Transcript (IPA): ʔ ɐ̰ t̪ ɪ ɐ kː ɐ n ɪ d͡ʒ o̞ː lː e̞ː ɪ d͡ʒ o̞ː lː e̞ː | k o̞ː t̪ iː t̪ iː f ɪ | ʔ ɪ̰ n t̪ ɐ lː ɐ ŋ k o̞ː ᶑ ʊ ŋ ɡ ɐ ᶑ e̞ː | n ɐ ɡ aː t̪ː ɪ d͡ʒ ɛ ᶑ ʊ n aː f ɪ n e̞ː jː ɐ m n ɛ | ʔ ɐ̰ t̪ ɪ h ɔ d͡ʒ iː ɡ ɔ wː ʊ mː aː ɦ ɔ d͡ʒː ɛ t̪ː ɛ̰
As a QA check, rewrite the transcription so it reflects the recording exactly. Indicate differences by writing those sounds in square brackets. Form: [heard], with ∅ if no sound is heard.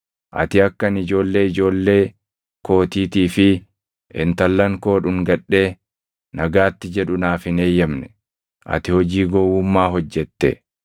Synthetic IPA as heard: ʔ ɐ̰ t̪ ɪ ɐ kː ɐ n ɪ d͡ʒ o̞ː lː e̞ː ɪ d͡ʒ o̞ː lː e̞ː | k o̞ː t̪ iː t̪ iː f ɪ | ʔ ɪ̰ n t̪ ɐ lː ɐ ŋ k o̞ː ᶑ ʊ ŋ ɡ ɐ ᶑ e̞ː | n ɐ ɡ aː t̪ː ɪ d͡ʒ ɛ ᶑ ʊ n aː f ɪ n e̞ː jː ɐ m n ɛ | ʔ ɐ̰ t̪ ɪ h ɔ d͡ʒ iː ɡ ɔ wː ʊ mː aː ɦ ɔ d͡ʒː ɛ t̪ː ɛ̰